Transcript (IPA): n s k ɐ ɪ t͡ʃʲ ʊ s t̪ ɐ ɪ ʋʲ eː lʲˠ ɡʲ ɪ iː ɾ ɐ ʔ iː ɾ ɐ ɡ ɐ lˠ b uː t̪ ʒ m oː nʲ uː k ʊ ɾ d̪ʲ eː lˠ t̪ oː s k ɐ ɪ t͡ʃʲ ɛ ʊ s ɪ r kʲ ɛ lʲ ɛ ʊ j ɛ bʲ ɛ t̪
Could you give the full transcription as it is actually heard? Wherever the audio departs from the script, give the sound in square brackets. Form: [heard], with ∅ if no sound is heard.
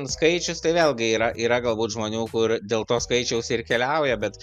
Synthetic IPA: n s k ɐ ɪ t͡ʃʲ ʊ s t̪ ɐ ɪ ʋʲ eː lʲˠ ɡʲ ɪ iː ɾ ɐ ʔ iː ɾ ɐ ɡ ɐ lˠ b uː t̪ ʒ m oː nʲ uː k ʊ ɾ d̪ʲ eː lˠ t̪ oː s k ɐ ɪ t͡ʃʲ ɛ ʊ s ɪ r kʲ ɛ lʲ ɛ ʊ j ɛ bʲ ɛ t̪